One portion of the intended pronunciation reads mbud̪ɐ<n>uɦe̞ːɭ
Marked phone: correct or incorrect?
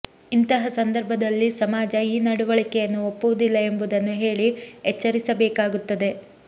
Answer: incorrect: nː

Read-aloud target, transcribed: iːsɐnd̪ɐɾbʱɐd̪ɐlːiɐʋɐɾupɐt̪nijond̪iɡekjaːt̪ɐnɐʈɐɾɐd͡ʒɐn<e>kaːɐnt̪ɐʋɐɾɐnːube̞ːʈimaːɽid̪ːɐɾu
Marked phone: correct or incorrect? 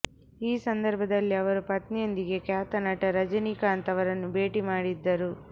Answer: incorrect: i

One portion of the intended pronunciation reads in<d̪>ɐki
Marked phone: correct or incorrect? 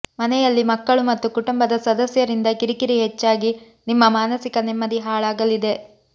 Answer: correct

